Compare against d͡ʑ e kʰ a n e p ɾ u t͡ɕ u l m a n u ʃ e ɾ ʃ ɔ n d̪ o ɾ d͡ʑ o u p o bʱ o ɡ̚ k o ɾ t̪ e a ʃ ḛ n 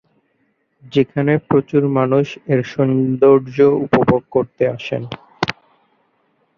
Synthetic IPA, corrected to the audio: d͡ʑ e kʰ a n e p ɾ o t͡ɕ u ɾ m a n u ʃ e ɾ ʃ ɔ n d̪ o ɾ d͡ʑ o u p o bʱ o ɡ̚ k o ɾ t̪ e a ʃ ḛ n